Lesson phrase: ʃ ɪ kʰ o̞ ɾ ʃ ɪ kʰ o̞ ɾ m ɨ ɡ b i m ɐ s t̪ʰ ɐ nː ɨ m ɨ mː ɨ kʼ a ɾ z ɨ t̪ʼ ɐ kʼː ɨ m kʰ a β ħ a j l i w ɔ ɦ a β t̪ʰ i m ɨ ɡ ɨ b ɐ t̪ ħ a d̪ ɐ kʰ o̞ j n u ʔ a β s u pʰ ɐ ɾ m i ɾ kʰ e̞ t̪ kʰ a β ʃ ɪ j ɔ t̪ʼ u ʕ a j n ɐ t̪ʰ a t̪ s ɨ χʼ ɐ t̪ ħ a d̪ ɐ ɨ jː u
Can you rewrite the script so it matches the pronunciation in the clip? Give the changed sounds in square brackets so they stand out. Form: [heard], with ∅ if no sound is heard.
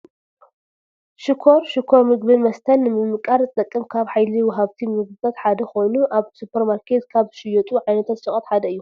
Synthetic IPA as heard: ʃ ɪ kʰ o̞ ɾ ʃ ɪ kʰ o̞ ɾ m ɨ ɡ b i m ɐ s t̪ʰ ɐ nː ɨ m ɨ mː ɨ kʼ a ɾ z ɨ t̪ʼ ɐ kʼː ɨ m kʰ a β ħ a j l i w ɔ ɦ a β t̪ʰ i m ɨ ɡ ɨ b ɐ t̪ ħ a d̪ ɐ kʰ o̞ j n u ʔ a β s u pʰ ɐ ɾ m [a] ɾ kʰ e̞ t̪ kʰ a β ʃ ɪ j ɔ t̪ʼ u ʕ a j n ɐ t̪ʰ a t̪ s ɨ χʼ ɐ t̪ ħ a d̪ ɐ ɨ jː u